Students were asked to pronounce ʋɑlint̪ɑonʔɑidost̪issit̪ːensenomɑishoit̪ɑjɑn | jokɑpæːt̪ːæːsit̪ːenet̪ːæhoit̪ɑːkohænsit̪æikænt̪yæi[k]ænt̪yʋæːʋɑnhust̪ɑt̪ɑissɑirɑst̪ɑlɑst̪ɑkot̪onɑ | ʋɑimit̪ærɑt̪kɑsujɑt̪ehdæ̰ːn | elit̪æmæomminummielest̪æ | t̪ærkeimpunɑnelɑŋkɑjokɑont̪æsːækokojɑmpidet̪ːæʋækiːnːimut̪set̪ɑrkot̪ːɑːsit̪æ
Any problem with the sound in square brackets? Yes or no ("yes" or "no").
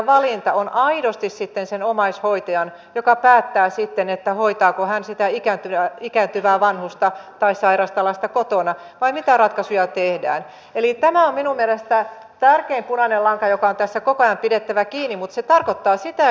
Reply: no